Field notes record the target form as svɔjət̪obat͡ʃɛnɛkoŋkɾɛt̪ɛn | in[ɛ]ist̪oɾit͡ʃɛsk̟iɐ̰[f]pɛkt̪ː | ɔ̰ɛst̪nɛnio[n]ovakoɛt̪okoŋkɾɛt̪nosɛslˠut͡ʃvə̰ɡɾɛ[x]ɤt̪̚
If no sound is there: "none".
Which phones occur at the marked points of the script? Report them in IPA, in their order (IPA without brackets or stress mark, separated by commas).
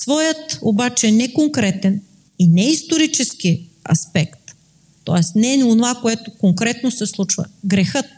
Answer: ɛ, s, n, x